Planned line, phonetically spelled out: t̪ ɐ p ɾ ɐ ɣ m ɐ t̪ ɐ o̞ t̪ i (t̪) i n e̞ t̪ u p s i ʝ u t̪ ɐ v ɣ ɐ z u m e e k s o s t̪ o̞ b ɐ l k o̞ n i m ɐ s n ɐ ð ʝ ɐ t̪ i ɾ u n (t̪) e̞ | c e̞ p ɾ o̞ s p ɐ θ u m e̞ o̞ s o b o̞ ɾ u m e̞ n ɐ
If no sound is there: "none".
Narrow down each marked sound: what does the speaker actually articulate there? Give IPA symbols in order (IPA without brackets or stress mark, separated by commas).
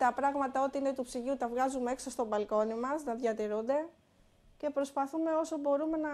none, d̪